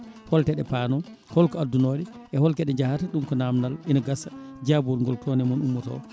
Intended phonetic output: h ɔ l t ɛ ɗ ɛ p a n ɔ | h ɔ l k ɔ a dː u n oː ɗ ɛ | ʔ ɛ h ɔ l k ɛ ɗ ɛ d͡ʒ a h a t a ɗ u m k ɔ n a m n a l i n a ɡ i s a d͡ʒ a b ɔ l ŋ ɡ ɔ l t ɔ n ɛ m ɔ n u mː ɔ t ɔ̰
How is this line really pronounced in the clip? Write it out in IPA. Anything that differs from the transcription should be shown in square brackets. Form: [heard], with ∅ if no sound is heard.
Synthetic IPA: h ɔ l t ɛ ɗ ɛ p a n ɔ | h ɔ l k ɔ a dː u n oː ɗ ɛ | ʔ ɛ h ɔ l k ɛ ɗ ɛ d͡ʒ a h a t a ɗ u m k ɔ n a m n a l i n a ɡ [a] s a d͡ʒ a b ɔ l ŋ ɡ ɔ l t ɔ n ɛ m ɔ n u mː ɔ t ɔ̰